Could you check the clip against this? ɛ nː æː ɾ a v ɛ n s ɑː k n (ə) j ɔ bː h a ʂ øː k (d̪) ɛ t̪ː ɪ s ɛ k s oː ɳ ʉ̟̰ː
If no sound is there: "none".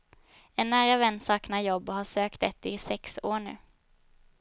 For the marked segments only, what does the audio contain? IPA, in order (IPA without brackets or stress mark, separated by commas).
a, t̪